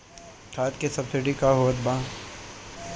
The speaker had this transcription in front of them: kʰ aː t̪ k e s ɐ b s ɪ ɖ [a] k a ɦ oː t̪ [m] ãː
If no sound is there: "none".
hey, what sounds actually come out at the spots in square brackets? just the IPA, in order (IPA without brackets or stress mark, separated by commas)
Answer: i, b